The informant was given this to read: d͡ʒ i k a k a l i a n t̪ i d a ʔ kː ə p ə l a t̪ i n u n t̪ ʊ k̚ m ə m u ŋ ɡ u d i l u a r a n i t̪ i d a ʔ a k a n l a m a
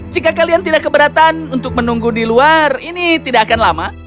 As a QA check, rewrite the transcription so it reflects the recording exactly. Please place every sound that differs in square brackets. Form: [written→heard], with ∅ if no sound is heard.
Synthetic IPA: d͡ʒ i k a k a l i a n t̪ i d a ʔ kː ə [p→b] ə [l→ɾ] a t̪ [i→a] n u n t̪ ʊ k̚ m ə [m→n] u ŋ ɡ u d i l u a r [a→i] n i t̪ i d a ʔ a k a n l a m a